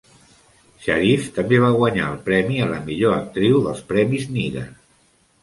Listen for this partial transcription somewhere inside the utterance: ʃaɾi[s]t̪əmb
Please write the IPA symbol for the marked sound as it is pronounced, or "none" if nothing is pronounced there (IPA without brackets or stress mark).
f